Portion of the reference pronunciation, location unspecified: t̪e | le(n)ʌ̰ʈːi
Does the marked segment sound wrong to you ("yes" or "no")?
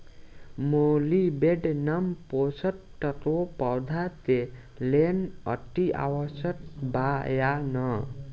no